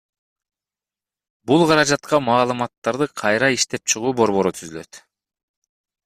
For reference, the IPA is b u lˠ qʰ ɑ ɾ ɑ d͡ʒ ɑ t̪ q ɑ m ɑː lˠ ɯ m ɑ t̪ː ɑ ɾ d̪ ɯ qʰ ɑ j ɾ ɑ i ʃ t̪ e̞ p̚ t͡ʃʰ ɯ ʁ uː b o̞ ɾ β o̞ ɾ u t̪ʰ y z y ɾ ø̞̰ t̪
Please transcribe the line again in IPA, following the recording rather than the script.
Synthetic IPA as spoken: b u lˠ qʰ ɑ ɾ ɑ d͡ʒ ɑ t̪ q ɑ m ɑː lˠ ɯ m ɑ t̪ː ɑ ɾ d̪ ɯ qʰ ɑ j ɾ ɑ i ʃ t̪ e̞ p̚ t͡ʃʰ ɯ ʁ uː b o̞ ɾ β o̞ ɾ u t̪ʰ y z y l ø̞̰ t̪

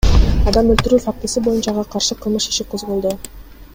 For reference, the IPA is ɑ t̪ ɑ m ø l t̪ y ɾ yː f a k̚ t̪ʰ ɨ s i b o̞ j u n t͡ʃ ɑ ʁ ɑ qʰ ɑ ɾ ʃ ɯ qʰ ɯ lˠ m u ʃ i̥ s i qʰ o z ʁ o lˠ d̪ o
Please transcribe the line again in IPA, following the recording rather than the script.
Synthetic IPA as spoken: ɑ d̪ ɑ m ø l t̪ y ɾ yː f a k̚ t̪ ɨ s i b o̞ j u n t͡ʃ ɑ ʁ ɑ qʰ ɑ ɾ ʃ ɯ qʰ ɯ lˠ m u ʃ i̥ ʃ i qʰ o z ʁ o lˠ d̪ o

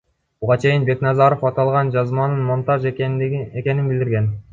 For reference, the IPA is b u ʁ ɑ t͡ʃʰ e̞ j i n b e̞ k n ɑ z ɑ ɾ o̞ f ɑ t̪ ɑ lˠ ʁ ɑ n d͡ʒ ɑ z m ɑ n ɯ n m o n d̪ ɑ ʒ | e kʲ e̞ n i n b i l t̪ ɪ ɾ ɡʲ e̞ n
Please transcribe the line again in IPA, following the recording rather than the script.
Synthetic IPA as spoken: b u ʁ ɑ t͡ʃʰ e̞ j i n b e̞ k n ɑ z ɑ ɾ o̞ f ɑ t̪ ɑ lˠ ʁ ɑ n d͡ʒ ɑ z m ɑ n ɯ n m o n t̪ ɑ ʒ | e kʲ e̞ n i n b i l d̪ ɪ ɾ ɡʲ e̞ n

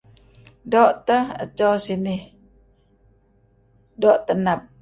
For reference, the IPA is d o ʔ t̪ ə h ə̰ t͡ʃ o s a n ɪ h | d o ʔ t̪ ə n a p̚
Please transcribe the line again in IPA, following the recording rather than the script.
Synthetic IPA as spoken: d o ʔ t̪ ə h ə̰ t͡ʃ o s i n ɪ h | d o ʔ t̪ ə n a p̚

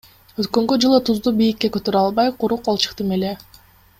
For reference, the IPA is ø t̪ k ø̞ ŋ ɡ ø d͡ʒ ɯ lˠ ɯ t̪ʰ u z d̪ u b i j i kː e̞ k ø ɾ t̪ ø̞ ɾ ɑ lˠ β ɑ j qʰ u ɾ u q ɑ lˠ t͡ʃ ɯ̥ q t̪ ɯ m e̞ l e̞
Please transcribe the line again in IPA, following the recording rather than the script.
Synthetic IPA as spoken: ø t̪ k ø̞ ŋ ɡ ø d͡ʒ ɯ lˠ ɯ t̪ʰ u z d̪ u b i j i kː e̞ k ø t̪ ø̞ ɾ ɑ lˠ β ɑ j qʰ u ɾ u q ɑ lˠ t͡ʃ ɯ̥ q t̪ ɯ m e̞ l e̞

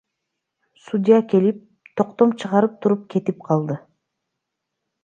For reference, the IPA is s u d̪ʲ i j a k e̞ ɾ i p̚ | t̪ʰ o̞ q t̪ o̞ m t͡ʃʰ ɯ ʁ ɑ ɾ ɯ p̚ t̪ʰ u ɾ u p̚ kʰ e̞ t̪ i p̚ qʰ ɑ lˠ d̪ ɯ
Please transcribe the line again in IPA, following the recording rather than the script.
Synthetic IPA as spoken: s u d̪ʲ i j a k e̞ l i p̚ | t̪ʰ o̞ q t̪ o̞ m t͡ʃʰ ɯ ʁ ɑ ɾ ɯ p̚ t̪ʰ u ɾ u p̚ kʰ e̞ t̪ i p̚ qʰ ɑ lˠ d̪ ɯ

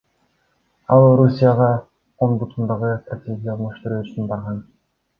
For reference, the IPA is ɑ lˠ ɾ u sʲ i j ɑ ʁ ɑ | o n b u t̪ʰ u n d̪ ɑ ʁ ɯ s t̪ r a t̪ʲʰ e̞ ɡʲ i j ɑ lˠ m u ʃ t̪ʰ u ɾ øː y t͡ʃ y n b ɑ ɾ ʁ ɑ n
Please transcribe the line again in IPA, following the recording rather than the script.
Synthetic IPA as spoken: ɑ lˠ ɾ u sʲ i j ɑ ʁ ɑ | o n b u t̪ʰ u n d̪ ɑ ʁ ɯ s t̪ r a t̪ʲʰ e̞ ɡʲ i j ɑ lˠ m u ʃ t̪ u ɾ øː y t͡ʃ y n b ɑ ɾ ʁ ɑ n

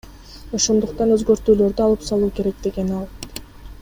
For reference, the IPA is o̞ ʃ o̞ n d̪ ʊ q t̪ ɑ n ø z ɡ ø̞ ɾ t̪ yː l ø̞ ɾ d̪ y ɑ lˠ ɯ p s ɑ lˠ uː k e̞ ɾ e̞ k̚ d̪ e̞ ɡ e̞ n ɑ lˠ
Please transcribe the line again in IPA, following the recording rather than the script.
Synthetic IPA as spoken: o̞ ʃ o̞ n d̪ u q t̪ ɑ n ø z ɡ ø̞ ɾ t̪ yː l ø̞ ɾ d̪ y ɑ lˠ ɯ p s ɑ lˠ uː k e̞ ɾ e̞ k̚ d̪ e̞ ɡ e̞ n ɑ lˠ

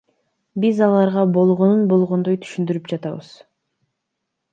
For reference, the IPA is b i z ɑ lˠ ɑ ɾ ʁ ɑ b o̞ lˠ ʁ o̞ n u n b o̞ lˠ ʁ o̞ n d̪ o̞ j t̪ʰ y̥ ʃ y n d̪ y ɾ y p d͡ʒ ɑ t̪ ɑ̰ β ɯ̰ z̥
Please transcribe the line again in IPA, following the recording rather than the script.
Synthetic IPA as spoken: b i z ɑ lˠ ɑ ɾ ʁ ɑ b o̞ lˠ ʁ o̞ n u n b o̞ lˠ ʁ o̞ n d̪ o̞ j t̪ʰ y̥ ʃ y n d̪ y ɾ y p d͡ʒ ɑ t̪ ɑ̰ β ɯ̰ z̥

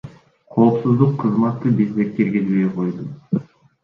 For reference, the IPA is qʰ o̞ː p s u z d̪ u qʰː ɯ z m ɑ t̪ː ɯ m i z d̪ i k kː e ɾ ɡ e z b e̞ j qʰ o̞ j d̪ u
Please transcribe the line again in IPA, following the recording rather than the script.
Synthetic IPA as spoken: qʰ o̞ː p s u z d̪ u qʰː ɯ z m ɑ t̪ː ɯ b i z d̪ e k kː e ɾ ɡ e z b e̞ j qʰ o̞ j d̪ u

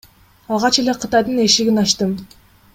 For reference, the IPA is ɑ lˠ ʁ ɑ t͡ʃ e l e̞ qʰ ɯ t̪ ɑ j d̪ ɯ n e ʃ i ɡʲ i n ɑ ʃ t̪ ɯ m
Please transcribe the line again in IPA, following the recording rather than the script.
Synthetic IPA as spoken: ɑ lˠ ʁ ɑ t͡ʃ e l e̞ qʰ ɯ t̪ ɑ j d̪ ɯ n e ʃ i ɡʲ i n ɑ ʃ t̪ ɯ m

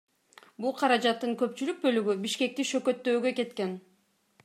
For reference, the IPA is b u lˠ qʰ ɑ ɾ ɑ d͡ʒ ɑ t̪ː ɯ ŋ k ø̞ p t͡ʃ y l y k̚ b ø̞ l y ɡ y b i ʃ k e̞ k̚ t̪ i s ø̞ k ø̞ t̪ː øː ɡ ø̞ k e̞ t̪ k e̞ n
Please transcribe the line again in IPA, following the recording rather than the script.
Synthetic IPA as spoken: b u lˠ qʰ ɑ ɾ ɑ d͡ʒ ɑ t̪ː ɯ ŋ k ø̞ p t͡ʃ y l y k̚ b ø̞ l y ɡ y b i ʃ k e̞ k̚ t̪ i ʃ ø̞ k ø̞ t̪ː øː ɡ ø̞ k e̞ t̪ k e̞ n

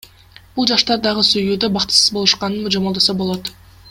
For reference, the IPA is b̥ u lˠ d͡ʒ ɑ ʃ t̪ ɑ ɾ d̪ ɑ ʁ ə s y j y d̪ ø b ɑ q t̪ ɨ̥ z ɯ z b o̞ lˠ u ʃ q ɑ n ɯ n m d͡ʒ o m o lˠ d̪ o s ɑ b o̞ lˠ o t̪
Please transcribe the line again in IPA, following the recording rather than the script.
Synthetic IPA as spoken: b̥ u lˠ d͡ʒ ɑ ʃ t̪ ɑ ɾ d̪ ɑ ʁ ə s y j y d̪ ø b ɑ q t̪ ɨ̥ s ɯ z b o̞ lˠ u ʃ q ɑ n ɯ n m d͡ʒ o m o lˠ d̪ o s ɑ b o̞ lˠ o t̪

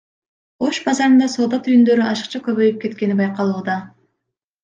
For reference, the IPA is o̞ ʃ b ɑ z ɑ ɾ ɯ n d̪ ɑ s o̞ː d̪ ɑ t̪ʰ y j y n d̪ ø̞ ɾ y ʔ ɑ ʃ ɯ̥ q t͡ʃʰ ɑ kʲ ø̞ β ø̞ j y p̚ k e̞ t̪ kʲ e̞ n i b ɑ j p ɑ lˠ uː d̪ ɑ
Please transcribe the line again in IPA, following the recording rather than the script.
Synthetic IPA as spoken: o̞ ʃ b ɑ z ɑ ɾ ɯ n d̪ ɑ s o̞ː d̪ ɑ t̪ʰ y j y n d̪ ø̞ ɾ y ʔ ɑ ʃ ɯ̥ q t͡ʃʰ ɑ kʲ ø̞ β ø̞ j y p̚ k e̞ t̪ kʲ e̞ n i b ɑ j q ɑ lˠ uː d̪ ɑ

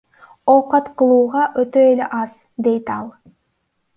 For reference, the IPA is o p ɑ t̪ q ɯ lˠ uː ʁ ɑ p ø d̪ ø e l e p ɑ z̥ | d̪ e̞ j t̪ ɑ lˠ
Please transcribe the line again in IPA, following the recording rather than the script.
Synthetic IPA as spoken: o q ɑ t̪ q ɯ lˠ uː ʁ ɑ ʔ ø t̪ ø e l e ʔ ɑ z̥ | d̪ e̞ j t̪ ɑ lˠ

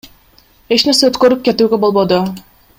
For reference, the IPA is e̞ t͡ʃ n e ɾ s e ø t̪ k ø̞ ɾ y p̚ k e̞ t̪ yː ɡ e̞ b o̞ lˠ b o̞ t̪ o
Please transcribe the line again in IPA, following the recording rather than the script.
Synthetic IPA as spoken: e̞ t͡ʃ n e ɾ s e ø t̪ k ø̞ ɾ y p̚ k e̞ t̪ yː ɡ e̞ b o̞ lˠ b o̞ d̪ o

